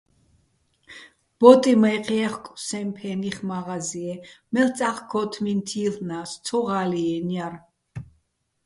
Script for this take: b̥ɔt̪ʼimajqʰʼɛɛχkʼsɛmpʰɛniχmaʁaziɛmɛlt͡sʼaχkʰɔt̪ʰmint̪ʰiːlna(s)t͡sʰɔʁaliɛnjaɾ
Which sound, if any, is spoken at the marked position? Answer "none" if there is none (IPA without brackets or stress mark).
s